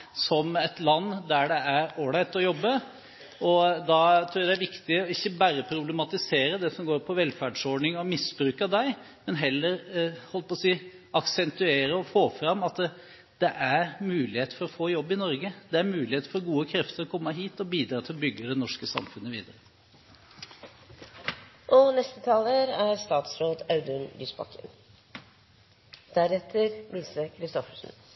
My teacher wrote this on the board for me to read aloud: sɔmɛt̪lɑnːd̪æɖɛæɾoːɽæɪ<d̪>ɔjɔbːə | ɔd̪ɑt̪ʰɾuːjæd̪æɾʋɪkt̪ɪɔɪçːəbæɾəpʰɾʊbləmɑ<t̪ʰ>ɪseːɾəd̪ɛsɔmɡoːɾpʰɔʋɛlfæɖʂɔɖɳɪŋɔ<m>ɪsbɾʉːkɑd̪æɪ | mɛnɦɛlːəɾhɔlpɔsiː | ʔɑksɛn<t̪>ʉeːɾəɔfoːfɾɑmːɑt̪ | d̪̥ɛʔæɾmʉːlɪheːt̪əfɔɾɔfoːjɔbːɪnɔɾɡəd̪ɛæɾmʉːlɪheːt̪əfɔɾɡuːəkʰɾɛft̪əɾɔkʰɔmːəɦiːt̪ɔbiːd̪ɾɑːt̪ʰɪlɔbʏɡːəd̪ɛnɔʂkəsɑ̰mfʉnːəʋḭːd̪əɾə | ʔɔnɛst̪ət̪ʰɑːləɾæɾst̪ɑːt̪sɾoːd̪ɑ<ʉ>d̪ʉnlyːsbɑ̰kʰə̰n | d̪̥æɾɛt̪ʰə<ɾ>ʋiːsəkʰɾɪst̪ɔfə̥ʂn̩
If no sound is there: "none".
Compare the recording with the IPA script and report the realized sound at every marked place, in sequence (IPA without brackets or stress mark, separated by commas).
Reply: t̪, t̪, m, t̪, ʉ, ɾ